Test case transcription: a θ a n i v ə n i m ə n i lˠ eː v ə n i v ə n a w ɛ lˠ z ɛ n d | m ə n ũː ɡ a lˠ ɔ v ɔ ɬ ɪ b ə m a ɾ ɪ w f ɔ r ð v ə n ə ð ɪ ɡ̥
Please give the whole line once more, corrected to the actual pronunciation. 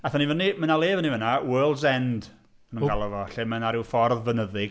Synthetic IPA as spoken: a θ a n i v ə n i m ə n a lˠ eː v ə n i v ə n a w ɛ lˠ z ɛ n d | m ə n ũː ɡ a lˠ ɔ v ɔ ɬ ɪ m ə n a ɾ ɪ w f ɔ r ð v ə n ə ð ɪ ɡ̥